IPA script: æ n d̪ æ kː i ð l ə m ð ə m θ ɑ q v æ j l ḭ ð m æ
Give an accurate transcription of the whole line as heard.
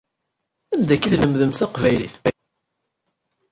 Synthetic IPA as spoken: æ n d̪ æ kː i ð l ə m ð ə m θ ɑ q v æ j l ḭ θ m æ